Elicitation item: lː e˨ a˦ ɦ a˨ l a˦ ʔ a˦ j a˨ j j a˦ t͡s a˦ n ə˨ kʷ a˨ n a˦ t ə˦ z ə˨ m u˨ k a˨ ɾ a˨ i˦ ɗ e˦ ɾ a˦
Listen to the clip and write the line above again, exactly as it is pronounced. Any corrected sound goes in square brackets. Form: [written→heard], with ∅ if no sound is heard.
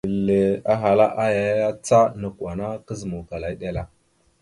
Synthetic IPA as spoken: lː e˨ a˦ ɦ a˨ l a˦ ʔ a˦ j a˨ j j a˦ t͡s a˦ n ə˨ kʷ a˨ n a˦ [t→k] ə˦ z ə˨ m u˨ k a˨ [ɾ→l] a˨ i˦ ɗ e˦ [ɾ→l] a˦